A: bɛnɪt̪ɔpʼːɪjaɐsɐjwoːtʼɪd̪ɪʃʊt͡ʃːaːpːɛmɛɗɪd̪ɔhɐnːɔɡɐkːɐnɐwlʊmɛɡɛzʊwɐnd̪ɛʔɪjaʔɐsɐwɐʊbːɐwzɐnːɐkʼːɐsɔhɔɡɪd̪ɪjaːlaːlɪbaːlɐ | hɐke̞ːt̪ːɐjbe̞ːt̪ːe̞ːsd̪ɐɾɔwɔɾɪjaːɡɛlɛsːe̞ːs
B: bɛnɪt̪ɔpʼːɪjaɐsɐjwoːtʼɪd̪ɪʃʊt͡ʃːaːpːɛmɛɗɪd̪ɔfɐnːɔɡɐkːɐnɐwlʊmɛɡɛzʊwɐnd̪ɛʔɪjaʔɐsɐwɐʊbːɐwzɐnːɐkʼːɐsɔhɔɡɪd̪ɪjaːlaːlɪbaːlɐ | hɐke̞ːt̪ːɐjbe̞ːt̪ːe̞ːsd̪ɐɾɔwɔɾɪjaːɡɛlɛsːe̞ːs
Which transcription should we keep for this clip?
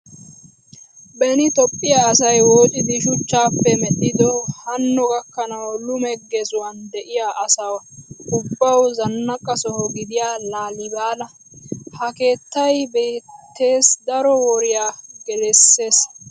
A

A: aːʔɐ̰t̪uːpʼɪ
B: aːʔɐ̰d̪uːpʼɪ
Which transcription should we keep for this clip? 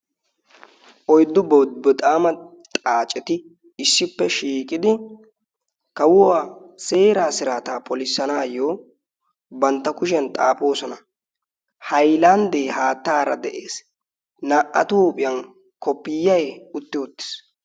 A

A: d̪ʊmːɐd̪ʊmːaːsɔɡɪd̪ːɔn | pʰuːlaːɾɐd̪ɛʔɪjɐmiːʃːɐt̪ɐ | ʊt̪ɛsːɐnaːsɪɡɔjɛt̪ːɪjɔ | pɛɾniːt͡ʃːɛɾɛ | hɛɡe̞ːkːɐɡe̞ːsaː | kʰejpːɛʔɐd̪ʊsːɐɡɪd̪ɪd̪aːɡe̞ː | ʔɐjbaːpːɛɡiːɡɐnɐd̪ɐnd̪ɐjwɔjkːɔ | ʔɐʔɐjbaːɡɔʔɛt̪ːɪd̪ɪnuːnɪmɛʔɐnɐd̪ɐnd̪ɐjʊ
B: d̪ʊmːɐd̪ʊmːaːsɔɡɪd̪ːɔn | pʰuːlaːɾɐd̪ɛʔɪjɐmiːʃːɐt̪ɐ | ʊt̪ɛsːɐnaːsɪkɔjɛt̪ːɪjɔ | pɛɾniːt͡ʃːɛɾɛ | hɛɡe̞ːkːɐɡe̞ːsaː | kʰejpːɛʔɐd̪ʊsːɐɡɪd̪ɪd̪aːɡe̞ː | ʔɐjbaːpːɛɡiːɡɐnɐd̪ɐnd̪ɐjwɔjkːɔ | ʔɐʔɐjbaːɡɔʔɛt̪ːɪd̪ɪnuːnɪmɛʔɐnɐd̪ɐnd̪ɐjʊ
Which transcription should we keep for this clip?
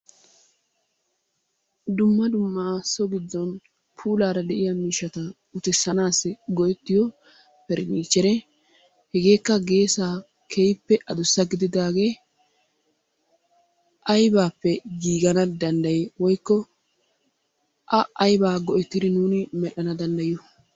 A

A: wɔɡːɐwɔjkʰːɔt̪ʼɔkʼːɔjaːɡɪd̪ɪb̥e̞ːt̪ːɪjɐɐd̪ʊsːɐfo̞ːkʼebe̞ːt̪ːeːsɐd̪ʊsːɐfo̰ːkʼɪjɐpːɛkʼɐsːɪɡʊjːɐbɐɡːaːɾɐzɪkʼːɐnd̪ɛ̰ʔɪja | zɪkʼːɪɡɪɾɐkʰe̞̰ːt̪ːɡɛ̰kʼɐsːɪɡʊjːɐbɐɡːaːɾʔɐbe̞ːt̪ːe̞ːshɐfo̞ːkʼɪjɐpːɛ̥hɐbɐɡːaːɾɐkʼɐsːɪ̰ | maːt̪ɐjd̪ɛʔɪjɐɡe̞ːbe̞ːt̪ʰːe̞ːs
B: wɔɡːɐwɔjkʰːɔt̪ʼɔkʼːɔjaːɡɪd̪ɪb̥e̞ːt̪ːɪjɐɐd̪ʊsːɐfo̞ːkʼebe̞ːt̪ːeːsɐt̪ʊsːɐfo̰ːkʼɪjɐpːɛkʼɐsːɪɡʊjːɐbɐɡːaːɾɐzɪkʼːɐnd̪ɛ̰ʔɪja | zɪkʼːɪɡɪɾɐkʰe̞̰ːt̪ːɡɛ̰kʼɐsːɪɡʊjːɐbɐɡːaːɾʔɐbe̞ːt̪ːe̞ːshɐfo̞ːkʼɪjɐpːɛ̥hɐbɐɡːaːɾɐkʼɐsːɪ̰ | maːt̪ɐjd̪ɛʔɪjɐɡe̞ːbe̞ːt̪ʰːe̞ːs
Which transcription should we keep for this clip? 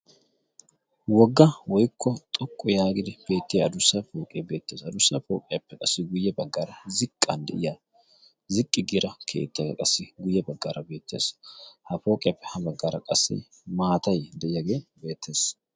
A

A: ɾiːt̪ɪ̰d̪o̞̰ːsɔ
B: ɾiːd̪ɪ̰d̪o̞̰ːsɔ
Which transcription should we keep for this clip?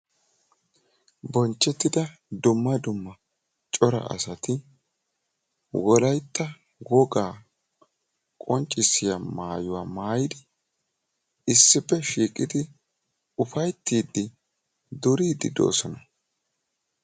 B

